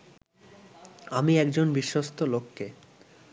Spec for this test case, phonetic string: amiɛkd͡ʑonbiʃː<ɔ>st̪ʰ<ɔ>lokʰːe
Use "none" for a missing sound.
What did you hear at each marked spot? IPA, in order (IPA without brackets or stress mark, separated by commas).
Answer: o, o